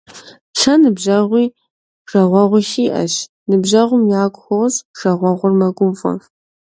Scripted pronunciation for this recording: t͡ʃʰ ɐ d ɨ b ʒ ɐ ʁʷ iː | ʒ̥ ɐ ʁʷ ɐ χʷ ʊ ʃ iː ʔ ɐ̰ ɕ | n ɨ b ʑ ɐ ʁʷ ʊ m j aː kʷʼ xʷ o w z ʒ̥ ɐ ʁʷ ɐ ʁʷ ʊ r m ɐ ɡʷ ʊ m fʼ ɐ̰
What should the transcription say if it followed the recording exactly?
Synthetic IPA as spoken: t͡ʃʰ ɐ n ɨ b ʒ ɐ ʁʷ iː | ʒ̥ ɐ ʁʷ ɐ ʁʷ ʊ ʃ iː ʔ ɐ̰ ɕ | n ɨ b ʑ ɐ ʁʷ ʊ m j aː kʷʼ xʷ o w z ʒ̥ ɐ ʁʷ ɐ ʁʷ ʊ r m ɐ ɡʷ ʊ m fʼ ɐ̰